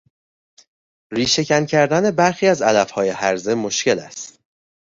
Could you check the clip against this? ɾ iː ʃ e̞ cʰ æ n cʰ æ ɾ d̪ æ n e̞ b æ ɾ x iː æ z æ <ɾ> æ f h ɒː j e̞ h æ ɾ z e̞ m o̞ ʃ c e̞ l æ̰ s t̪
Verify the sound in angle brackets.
incorrect: l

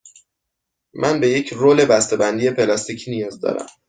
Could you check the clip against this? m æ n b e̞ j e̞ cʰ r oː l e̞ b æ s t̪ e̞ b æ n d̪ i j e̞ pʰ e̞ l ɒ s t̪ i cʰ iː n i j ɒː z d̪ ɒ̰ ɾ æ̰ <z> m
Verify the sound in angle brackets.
incorrect: none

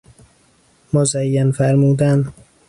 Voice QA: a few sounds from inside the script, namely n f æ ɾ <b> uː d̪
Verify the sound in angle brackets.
incorrect: m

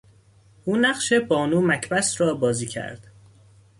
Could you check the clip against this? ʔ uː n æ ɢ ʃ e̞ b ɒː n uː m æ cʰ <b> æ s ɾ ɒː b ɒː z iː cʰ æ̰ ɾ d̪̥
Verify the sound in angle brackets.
correct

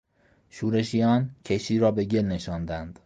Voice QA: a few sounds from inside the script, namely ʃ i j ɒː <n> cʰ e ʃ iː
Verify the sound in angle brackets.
correct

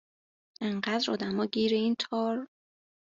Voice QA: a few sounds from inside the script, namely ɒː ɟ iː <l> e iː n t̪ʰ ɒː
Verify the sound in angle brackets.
incorrect: ɾ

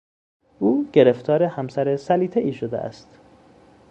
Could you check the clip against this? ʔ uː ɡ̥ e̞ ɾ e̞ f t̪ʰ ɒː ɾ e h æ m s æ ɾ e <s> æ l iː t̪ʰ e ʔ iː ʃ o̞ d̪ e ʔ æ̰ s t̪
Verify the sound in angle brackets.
correct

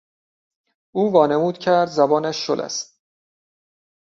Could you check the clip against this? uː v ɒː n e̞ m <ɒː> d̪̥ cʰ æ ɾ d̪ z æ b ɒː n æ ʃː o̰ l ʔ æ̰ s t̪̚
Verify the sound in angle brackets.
incorrect: uː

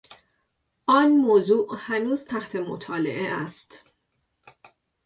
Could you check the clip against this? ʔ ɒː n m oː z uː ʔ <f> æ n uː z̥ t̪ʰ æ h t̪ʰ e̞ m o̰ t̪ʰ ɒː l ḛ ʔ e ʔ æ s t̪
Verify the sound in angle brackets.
incorrect: h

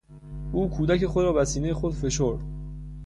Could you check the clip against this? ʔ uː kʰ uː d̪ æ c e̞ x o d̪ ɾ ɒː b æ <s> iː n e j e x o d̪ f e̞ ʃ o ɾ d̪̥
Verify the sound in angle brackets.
correct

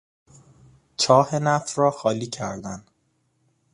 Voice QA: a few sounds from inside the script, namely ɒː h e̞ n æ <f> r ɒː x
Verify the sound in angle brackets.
correct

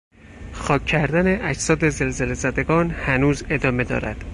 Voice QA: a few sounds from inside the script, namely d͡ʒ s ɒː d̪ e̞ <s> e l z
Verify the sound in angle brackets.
incorrect: z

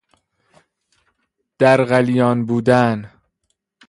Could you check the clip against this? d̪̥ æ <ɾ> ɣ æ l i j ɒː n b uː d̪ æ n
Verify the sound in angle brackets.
correct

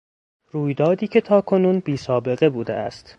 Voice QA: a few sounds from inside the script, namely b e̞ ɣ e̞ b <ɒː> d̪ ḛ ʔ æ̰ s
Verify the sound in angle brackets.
incorrect: uː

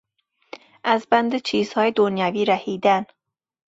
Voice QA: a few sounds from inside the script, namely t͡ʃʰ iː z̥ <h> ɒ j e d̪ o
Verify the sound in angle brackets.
correct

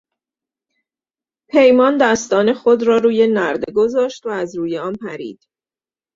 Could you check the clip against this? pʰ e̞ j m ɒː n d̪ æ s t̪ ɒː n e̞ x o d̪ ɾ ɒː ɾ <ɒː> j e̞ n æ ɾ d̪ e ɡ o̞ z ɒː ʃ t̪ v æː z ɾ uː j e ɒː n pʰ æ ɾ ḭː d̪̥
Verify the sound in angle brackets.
incorrect: uː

